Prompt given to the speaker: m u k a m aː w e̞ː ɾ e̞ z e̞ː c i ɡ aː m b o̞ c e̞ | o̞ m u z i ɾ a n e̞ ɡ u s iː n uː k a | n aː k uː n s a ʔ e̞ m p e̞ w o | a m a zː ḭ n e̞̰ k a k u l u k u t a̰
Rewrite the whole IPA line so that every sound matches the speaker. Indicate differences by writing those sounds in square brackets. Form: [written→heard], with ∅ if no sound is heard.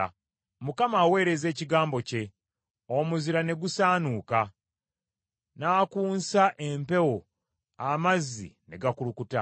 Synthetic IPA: m u k a m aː w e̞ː ɾ e̞ z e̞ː c i ɡ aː m b o̞ c e̞ | o̞ m u z i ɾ a n e̞ ɡ u s [iː→aː] n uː k a | n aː k uː n s a ʔ e̞ m p e̞ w o | a m a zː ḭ n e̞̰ [k→ɡ] a k u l u k u t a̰